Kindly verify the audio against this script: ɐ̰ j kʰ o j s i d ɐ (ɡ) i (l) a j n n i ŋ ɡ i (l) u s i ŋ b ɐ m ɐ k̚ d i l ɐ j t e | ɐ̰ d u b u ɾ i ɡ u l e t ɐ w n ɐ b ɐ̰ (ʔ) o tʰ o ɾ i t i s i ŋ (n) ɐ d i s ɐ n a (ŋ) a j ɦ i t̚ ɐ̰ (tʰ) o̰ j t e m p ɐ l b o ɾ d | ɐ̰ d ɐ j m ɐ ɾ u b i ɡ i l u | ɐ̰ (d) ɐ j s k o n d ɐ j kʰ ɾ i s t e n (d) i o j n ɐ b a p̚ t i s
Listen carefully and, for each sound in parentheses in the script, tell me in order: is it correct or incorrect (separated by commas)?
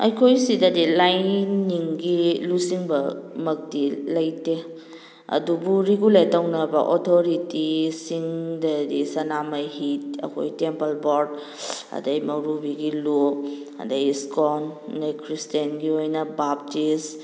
incorrect, correct, correct, correct, incorrect, incorrect, incorrect, correct, incorrect